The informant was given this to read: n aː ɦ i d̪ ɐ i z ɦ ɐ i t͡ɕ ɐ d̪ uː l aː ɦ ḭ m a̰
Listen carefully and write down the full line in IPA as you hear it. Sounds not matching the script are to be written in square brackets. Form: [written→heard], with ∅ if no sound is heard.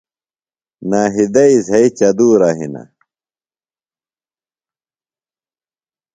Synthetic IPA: n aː ɦ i d̪ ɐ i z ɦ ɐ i t͡ɕ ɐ d̪ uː [l→ɾ] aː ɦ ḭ [m→n] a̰